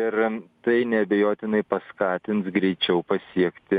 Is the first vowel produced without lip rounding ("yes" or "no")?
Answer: yes